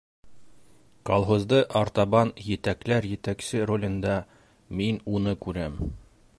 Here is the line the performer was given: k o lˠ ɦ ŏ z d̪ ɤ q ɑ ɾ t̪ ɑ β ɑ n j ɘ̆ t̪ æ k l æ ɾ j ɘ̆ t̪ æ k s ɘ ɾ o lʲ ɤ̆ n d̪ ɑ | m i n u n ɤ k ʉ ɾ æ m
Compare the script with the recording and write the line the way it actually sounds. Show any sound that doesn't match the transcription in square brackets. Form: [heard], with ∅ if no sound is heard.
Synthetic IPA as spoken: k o lˠ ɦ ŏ z d̪ ɤ [ʔ] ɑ ɾ t̪ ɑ β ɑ n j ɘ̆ t̪ æ k l æ ɾ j ɘ̆ t̪ æ k s ɘ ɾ o lʲ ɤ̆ n d̪ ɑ | m i n u n ɤ k ʉ ɾ æ m

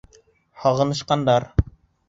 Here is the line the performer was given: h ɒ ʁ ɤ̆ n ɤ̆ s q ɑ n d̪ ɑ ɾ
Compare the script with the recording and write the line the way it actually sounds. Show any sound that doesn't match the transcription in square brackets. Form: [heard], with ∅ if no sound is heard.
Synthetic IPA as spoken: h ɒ ʁ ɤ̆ n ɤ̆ [ʃ] q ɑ n d̪ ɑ ɾ

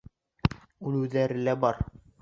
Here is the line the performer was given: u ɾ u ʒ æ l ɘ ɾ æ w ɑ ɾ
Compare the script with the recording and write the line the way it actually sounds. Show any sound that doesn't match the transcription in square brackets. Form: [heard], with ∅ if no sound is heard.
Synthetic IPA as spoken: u [l] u [ð] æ [ɾ] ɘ [l] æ [b] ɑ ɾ

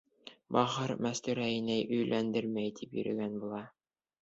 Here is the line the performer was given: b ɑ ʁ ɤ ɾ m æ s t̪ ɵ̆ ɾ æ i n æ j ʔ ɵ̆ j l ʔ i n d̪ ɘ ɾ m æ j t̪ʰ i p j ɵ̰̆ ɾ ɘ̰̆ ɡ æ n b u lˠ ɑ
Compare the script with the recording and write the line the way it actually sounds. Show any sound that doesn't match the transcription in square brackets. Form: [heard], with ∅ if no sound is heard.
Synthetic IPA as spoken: b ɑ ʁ ɤ ɾ m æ s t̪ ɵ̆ ɾ æ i n æ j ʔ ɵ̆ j l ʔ [æ] n d̪ ɘ ɾ m æ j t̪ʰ i p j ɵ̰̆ ɾ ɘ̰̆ ɡ æ n b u lˠ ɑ

